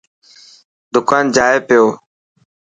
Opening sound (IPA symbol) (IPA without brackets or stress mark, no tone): d̪